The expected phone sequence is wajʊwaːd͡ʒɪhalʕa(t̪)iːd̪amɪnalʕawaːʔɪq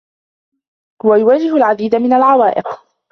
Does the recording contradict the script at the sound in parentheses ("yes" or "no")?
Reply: yes